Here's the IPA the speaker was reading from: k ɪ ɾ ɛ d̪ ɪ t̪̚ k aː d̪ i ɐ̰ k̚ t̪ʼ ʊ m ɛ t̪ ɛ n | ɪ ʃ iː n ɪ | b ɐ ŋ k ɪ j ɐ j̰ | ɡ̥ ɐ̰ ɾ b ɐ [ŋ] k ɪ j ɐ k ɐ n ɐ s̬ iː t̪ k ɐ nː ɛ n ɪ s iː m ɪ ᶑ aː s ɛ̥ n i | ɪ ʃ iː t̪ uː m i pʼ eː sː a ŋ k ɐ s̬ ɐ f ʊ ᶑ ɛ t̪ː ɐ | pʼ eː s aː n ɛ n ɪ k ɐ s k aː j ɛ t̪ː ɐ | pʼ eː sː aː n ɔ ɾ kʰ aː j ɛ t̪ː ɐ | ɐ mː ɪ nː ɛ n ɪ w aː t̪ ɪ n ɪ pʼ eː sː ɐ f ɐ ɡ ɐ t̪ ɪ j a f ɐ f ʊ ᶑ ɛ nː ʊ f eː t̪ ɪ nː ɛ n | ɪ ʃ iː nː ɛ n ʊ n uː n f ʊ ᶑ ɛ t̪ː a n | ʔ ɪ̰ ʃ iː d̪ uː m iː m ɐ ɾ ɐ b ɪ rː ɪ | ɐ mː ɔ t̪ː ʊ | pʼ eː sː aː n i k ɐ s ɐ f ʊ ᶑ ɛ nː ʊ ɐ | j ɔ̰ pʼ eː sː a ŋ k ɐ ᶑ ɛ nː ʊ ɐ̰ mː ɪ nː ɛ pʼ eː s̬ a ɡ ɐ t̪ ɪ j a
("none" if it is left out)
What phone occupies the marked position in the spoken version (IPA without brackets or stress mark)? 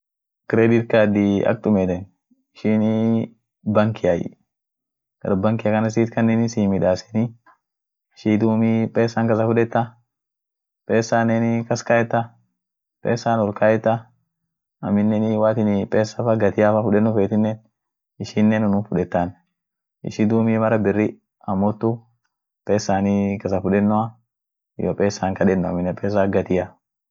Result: ŋ